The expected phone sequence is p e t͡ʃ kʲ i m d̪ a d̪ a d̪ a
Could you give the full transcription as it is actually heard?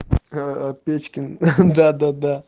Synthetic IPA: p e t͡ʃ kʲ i n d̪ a d̪ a d̪ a